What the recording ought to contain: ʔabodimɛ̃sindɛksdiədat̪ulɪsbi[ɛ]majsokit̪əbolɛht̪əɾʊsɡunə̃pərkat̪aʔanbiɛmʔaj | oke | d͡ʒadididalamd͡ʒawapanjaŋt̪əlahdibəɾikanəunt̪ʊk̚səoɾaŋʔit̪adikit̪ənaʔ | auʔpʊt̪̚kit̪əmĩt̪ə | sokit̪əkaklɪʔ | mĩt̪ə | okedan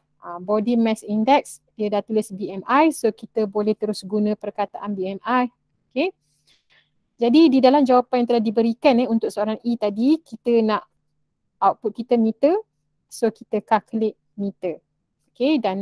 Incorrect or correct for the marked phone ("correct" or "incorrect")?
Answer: correct